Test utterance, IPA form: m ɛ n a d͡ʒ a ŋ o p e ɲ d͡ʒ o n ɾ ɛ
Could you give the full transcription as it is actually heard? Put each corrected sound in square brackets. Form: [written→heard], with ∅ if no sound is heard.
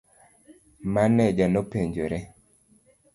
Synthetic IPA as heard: m [ɛ→a] n [a→ɛ] d͡ʒ a [ŋ→n] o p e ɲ d͡ʒ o [n→∅] ɾ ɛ